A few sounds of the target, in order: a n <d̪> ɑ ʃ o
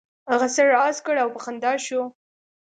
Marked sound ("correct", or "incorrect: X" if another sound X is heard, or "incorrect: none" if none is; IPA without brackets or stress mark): correct